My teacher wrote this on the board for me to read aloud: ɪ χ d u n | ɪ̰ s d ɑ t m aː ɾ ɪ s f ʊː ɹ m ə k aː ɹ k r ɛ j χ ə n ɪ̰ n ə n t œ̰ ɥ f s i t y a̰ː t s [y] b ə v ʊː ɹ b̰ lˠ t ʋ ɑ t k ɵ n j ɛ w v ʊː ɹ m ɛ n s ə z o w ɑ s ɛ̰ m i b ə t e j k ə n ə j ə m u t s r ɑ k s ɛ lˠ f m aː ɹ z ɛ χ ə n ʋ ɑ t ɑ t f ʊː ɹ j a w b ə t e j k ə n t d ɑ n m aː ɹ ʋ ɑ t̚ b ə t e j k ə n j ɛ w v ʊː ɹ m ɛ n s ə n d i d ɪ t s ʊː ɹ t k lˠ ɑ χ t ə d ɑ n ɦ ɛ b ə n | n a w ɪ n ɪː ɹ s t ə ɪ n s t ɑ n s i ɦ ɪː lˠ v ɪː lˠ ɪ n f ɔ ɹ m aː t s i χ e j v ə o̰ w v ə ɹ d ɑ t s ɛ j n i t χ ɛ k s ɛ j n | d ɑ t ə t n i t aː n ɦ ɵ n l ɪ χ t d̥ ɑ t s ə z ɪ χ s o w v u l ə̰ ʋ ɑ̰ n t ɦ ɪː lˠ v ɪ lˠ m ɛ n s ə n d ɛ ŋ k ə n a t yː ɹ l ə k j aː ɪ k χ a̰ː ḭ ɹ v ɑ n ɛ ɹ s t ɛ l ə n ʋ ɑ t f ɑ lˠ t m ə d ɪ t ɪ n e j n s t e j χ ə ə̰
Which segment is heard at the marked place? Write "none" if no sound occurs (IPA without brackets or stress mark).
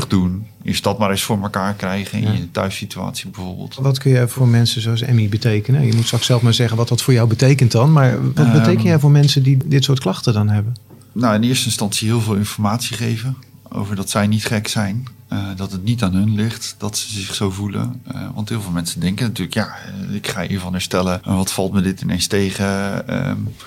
i